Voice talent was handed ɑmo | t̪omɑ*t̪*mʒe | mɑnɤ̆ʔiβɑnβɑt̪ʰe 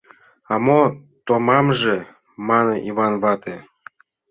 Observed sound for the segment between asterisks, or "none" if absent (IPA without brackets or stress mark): none